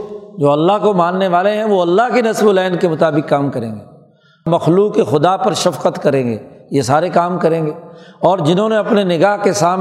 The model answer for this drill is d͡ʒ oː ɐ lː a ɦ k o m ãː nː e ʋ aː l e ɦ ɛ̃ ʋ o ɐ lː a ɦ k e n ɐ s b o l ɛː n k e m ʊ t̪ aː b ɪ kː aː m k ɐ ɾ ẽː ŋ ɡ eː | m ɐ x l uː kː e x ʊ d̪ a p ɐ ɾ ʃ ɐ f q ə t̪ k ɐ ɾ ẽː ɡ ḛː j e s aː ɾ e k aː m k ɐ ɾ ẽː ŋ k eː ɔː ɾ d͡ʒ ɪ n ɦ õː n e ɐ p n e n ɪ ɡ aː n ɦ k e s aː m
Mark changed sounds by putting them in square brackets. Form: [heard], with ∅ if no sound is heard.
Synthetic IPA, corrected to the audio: d͡ʒ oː ɐ lː a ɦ k o m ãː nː e ʋ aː l e ɦ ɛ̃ ʋ o ɐ lː a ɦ k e n ɐ s b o l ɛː n k e m ʊ t̪ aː b ɪ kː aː m k ɐ ɾ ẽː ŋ ɡ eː | m ɐ x l uː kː e x ʊ d̪ a p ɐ ɾ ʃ ɐ f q ə t̪ k ɐ ɾ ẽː ɡ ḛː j e s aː ɾ e k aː m k ɐ ɾ ẽː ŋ [ɡ] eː ɔː ɾ d͡ʒ ɪ n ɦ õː n e ɐ p n e n ɪ ɡ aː [∅] ɦ k e s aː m